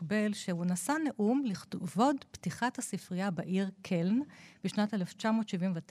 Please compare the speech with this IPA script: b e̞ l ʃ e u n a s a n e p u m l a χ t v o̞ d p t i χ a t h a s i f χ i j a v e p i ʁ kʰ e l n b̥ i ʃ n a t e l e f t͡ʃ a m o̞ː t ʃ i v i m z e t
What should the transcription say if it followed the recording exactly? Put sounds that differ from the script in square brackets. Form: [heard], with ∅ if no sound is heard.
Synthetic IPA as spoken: b e̞ l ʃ e u n a s a n e [ʔ] u m l [i] χ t v o̞ d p t i χ a t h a s i f [ʁ] i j a [b] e [ʔ] i ʁ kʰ e l n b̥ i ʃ n a t e l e f t͡ʃ a m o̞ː t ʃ i v i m [v] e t